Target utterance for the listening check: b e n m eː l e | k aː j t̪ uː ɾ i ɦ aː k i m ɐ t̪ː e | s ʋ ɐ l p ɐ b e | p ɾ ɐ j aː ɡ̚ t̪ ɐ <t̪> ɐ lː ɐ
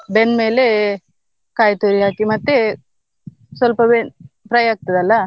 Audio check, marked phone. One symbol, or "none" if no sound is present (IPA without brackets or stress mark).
d̪